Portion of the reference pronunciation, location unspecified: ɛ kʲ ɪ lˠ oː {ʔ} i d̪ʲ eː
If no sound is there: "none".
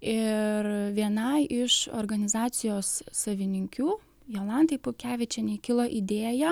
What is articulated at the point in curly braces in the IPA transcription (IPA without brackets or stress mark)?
ʔ